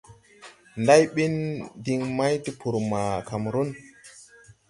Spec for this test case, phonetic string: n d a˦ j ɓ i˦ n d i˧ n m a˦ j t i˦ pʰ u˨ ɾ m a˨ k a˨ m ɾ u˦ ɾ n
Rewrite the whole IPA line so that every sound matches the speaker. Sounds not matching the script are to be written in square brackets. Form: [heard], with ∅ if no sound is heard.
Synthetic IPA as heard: n d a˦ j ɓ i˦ n d i˧ [ŋ] m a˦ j t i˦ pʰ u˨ ɾ m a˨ k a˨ m ɾ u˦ [∅] n